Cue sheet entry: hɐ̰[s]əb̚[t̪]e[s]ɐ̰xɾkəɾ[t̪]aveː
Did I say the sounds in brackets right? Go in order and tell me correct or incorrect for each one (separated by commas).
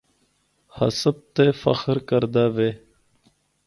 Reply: correct, correct, incorrect, incorrect